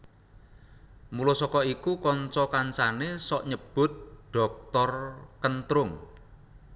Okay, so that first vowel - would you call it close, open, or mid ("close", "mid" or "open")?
close